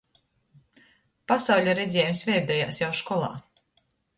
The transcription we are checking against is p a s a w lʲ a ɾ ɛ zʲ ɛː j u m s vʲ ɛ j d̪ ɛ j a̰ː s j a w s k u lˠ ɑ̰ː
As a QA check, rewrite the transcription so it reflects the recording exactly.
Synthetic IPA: p a s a w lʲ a ɾ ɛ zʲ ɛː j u m s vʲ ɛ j d̪ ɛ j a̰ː s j a w ʃ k ɔ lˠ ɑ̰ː